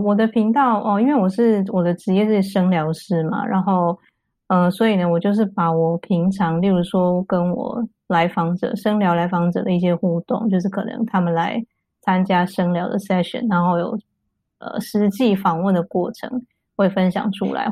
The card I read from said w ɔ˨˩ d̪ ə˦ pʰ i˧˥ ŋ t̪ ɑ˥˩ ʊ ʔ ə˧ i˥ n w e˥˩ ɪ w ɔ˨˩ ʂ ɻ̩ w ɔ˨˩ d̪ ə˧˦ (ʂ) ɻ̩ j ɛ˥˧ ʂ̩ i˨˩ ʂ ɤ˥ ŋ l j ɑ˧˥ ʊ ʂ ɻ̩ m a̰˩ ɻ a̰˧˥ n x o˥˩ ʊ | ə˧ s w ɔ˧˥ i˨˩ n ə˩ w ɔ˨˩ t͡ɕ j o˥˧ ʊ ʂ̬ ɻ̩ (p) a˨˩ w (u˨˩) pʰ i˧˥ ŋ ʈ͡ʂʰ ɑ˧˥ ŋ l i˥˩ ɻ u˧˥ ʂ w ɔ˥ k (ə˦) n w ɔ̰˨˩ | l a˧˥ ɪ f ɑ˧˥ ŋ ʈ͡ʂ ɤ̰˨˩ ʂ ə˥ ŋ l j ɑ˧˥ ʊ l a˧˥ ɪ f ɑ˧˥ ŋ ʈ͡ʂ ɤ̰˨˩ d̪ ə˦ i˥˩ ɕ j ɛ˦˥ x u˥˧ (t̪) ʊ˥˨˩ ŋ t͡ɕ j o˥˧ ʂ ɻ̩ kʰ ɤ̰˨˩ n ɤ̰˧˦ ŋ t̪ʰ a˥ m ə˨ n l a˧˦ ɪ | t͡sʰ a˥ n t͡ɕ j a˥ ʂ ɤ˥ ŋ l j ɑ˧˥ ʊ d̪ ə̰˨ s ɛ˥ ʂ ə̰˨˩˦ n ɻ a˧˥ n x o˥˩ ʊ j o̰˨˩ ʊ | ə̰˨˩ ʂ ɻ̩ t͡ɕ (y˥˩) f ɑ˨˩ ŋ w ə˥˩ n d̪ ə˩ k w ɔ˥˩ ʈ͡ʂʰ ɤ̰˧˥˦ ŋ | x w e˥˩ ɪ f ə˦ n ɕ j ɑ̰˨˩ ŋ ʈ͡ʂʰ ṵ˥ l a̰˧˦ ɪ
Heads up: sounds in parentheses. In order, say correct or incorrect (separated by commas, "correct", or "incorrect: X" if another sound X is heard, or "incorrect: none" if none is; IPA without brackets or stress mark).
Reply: incorrect: ʈ͡ʂ, correct, incorrect: ɔ˨˩, correct, correct, incorrect: i˥˩